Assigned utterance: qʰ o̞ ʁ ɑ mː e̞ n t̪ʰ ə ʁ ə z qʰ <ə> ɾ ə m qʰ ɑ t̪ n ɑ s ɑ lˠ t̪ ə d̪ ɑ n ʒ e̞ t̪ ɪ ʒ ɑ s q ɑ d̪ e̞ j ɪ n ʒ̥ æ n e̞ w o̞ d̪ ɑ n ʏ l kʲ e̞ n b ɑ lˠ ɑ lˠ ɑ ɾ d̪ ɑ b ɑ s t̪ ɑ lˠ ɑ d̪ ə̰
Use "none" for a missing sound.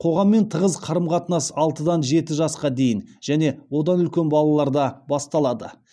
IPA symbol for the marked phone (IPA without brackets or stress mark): ɑ